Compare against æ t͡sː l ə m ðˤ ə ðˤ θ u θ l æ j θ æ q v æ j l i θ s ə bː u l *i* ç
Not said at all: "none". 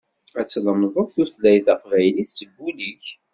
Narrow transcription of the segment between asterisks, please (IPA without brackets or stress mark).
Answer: i